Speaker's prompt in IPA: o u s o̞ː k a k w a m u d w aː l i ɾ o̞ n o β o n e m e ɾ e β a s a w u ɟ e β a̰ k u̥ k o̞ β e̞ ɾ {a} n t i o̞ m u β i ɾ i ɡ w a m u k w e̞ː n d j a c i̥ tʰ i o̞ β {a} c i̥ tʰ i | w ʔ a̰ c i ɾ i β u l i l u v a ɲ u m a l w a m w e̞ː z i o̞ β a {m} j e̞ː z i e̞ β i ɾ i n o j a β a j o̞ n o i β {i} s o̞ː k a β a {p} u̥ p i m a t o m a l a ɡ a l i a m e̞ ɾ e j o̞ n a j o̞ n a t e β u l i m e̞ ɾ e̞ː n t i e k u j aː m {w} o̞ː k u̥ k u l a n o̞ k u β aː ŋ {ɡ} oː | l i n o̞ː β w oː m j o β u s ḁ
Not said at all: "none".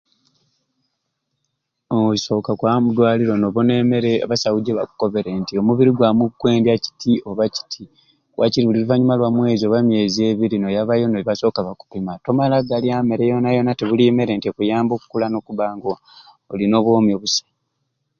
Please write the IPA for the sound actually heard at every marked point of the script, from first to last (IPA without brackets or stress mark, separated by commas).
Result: e, a, m, a, k, b, ɡ